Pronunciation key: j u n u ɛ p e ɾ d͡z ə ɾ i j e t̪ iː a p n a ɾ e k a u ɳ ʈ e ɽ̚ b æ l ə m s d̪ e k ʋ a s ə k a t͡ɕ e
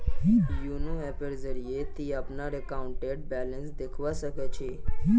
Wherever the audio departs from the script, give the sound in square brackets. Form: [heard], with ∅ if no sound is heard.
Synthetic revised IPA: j u n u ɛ p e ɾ d͡z ə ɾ i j e t̪ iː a p n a ɾ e k a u ɳ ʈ e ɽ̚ b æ l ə [n] s d̪ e [kʰ] ʋ a s ə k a t͡ɕ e

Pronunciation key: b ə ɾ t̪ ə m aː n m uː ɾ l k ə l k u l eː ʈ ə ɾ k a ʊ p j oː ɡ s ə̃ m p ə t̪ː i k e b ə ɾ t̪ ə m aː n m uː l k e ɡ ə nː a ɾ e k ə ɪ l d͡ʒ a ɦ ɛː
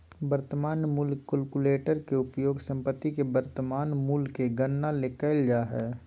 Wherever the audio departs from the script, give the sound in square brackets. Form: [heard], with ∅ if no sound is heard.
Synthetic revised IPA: b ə ɾ t̪ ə m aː n m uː [∅] l k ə l k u l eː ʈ ə ɾ k [e] ʊ p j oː ɡ s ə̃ m p ə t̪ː i k e b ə ɾ t̪ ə m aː n m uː l k e ɡ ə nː a [l] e k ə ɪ l d͡ʒ a ɦ ɛː

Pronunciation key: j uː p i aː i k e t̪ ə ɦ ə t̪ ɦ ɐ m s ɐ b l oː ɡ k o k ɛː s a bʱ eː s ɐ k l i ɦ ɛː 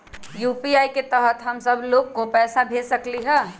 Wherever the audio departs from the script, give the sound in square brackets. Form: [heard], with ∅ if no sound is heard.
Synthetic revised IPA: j uː p i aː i k e t̪ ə ɦ ə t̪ ɦ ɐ m s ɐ b l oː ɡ k o [p] ɛː s a bʱ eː s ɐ k l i ɦ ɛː

